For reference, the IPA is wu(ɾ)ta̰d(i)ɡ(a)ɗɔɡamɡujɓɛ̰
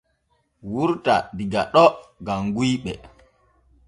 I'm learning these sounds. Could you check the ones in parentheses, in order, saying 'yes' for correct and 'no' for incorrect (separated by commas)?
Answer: yes, yes, yes